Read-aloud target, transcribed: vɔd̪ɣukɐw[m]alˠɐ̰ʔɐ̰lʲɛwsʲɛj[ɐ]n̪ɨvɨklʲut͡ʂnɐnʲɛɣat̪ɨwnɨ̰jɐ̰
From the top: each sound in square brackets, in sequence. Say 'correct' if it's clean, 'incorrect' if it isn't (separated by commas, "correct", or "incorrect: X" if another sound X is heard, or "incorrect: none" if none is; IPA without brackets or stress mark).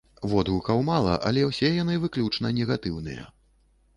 correct, incorrect: a